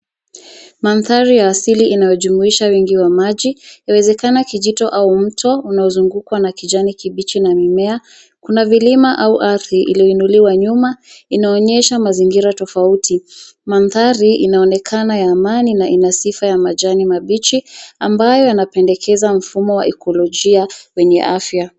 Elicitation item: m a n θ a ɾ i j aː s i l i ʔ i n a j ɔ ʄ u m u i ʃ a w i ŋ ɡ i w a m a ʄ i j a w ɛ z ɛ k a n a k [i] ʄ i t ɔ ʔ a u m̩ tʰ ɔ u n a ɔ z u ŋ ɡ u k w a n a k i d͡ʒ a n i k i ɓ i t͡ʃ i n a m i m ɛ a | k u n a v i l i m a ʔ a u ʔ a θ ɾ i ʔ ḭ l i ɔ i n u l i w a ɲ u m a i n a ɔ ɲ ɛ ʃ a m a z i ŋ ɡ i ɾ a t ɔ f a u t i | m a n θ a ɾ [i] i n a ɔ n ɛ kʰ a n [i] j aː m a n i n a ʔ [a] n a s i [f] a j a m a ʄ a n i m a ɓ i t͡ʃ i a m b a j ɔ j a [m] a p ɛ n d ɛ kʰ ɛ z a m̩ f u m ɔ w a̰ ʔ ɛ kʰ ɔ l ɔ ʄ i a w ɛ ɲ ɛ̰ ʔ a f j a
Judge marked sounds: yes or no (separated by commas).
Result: yes, yes, no, no, yes, no